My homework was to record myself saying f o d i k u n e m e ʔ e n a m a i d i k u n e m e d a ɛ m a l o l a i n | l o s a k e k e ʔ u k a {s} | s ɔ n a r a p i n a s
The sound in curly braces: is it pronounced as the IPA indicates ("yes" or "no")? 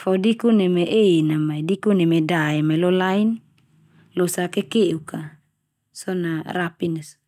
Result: no